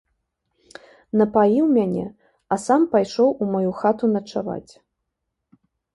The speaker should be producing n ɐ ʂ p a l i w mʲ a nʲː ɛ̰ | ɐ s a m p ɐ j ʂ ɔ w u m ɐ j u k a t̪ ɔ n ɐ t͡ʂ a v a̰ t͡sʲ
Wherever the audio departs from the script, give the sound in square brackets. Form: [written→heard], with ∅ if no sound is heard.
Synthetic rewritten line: n ɐ [ʂ→∅] p a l i w mʲ a [nʲː→nʲ] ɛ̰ | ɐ s a m p [ɐ→a] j ʂ ɔ w u m [ɐ→a] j u [k→x] a t̪ [ɔ→u] n ɐ t͡ʂ a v a̰ t͡sʲ